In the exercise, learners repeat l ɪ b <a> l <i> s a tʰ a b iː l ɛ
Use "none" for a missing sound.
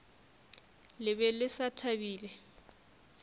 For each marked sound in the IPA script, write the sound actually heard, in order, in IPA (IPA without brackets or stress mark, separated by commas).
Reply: ɛ, ɪ